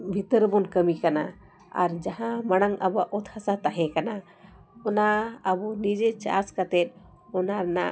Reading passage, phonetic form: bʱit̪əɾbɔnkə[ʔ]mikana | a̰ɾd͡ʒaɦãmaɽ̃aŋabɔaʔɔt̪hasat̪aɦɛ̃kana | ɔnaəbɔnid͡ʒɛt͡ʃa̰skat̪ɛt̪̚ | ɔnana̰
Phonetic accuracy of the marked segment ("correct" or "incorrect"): incorrect